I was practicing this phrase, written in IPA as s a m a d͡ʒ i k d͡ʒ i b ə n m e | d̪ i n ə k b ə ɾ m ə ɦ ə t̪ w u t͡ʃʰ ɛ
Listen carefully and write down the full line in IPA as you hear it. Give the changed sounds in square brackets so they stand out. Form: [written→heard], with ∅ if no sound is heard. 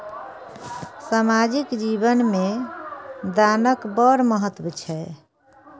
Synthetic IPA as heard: s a m a d͡ʒ i k d͡ʒ i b ə n m e | d̪ [i→a] n ə k b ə ɾ m ə ɦ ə t̪ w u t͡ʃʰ ɛ